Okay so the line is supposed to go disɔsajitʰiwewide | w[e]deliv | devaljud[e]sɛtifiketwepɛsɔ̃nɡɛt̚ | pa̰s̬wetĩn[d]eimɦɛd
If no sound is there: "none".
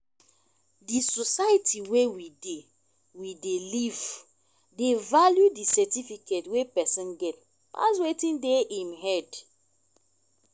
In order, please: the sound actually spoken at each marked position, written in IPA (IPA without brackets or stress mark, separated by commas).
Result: i, i, d